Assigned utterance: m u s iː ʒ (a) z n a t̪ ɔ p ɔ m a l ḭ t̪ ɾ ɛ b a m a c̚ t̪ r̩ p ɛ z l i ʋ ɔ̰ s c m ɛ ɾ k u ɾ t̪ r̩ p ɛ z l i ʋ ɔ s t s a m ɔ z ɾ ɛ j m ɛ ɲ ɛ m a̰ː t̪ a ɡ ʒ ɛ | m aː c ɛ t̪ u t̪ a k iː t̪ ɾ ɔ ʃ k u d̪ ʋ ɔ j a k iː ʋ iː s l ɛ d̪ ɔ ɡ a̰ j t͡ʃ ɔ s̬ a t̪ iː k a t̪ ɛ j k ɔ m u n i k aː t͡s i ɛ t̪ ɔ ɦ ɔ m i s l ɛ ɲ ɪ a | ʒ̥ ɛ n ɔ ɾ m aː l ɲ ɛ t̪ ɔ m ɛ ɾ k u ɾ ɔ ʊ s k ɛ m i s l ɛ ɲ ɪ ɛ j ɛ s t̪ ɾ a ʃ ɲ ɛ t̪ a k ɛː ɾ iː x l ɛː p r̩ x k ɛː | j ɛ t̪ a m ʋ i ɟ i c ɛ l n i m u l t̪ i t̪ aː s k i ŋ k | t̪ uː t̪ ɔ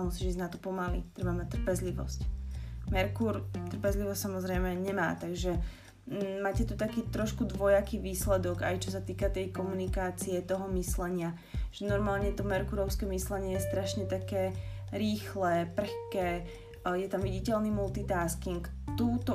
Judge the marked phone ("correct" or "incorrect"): incorrect